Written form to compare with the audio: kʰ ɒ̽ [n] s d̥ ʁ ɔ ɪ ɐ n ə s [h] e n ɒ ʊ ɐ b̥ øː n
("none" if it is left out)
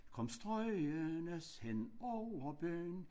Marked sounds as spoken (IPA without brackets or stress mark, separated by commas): m, h